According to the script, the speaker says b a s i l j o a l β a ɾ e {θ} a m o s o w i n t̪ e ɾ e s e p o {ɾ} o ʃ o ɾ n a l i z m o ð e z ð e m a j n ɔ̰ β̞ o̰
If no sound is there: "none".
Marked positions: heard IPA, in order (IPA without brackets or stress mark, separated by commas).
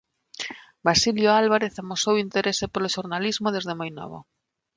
θ, l